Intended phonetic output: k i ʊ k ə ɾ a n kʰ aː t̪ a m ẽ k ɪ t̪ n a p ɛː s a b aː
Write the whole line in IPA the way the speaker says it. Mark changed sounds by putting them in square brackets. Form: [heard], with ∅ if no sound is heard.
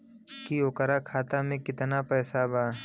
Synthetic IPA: k i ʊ k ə ɾ a [∅] kʰ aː t̪ a m ẽ k ɪ t̪ n a p ɛː s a b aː